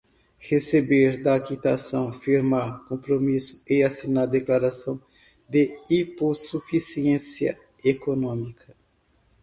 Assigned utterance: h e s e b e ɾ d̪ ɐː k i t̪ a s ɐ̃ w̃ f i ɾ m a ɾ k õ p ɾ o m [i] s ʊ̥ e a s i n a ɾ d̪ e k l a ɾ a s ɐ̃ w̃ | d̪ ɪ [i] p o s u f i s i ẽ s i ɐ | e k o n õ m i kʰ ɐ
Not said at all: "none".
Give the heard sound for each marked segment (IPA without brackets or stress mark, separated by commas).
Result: i, i